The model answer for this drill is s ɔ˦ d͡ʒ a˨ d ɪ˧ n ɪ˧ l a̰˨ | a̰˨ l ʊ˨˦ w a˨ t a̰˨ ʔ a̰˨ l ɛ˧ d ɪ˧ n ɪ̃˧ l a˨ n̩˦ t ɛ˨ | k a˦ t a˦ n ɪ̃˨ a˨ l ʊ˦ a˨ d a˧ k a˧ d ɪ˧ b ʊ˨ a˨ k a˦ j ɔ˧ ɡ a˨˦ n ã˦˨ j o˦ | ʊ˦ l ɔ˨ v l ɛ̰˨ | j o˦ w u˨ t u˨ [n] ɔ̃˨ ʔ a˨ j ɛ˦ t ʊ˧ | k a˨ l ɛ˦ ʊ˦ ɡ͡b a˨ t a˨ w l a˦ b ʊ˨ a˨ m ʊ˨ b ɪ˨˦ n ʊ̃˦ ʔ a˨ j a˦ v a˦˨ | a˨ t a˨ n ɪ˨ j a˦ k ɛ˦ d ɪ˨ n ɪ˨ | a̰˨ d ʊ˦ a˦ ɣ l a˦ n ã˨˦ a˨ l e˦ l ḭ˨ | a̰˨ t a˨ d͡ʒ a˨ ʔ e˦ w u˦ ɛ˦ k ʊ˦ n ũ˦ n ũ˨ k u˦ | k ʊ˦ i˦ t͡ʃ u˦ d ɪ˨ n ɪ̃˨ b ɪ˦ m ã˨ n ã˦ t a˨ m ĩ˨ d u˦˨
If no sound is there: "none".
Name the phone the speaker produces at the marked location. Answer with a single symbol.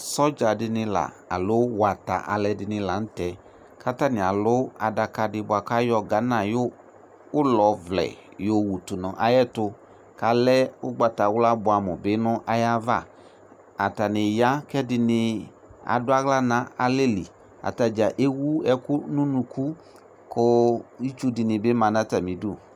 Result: n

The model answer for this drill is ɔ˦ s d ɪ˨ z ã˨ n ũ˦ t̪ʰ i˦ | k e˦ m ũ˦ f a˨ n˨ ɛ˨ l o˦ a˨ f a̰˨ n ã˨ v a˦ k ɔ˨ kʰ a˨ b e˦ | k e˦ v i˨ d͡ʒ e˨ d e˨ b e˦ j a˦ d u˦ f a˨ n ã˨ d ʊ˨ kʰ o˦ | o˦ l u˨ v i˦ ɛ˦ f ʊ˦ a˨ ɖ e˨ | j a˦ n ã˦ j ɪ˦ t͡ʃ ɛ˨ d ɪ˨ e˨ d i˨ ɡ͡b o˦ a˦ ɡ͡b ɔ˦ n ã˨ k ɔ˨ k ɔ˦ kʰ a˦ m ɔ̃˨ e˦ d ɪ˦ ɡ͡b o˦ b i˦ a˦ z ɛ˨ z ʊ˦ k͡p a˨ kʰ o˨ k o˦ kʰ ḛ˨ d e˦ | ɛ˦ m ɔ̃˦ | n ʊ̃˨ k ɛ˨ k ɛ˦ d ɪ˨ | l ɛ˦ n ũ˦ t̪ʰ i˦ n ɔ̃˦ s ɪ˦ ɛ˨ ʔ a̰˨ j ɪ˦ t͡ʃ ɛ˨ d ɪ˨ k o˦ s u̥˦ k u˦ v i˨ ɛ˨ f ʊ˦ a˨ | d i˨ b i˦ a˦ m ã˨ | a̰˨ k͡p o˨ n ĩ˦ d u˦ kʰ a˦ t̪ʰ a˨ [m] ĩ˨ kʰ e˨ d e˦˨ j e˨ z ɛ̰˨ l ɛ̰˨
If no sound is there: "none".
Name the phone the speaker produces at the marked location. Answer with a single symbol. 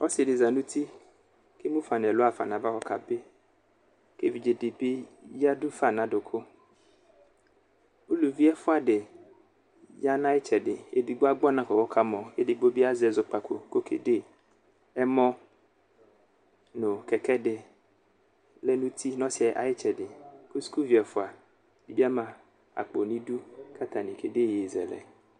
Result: n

